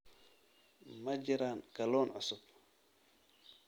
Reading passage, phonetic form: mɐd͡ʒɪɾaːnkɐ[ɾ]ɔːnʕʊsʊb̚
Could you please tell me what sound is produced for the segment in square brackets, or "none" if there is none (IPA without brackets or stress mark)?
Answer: l